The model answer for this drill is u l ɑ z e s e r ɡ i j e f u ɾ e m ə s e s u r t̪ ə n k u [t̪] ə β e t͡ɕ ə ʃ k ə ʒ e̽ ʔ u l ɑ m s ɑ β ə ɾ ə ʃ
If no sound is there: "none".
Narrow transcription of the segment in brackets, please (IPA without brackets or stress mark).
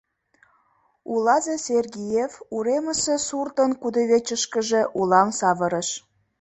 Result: d̪